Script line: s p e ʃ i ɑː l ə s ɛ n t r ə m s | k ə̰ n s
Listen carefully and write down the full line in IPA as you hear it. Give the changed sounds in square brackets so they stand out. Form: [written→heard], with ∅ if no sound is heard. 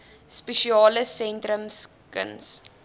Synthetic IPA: s p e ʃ i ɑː l ə s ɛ n t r ə m s | k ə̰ n s